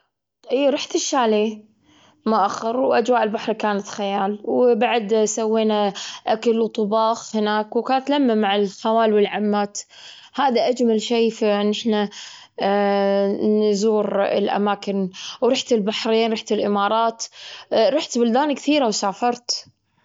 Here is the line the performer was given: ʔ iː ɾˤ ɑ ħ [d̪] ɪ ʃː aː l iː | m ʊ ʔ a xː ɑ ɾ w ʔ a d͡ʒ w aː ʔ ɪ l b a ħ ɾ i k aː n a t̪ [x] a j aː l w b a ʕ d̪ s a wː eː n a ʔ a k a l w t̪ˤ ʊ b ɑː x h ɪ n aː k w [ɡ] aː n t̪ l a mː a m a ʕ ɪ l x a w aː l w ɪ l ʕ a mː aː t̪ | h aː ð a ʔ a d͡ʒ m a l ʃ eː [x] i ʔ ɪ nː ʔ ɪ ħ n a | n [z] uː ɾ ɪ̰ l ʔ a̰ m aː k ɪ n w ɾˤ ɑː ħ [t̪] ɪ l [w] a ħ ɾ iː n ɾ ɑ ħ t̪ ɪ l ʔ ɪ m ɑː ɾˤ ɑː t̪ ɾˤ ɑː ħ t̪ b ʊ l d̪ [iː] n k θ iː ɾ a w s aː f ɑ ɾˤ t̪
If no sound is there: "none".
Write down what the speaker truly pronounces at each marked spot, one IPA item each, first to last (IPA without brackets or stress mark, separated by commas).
t̪, x, k, f, z, t̪, b, aː